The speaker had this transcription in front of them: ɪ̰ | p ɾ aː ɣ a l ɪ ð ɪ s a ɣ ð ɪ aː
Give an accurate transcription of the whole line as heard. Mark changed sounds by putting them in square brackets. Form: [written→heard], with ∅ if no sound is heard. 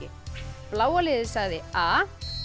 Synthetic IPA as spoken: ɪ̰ | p [ɾ→l] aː [ɣ→w] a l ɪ ð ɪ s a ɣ ð ɪ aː

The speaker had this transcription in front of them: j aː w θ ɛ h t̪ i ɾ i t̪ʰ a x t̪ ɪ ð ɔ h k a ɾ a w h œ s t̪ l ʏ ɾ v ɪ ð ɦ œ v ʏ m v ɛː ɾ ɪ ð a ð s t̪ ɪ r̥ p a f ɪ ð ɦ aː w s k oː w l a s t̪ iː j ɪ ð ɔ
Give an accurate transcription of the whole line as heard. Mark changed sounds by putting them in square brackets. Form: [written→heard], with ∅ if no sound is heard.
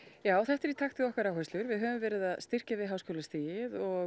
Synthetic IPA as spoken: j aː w θ ɛ h t̪ [i→ɛ] ɾ i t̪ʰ a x t̪ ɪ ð ɔ h k a ɾ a w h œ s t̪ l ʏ ɾ v ɪ ð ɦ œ v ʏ m v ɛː ɾ ɪ ð a ð s t̪ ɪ r̥ [p→c] a [f→v] ɪ ð ɦ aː w s k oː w l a s t̪ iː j ɪ ð ɔ

